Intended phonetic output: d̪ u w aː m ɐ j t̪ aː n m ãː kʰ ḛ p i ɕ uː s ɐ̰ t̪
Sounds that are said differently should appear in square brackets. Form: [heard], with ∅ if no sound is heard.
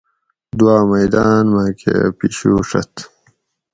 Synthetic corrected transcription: d̪ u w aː m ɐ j [d̪] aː n m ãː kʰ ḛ p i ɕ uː [ʂ] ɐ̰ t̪